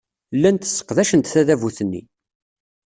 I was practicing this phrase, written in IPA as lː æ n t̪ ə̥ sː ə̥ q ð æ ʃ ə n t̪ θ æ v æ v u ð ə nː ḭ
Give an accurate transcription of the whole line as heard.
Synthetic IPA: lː æ n t̪ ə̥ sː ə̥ q ð æ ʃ ə n t̪ θ æ ð æ v u θ ə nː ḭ